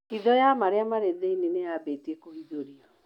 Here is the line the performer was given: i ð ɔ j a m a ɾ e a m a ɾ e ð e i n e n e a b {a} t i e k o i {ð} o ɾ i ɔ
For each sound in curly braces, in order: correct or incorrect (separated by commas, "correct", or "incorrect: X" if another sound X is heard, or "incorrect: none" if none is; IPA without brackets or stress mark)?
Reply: incorrect: e, correct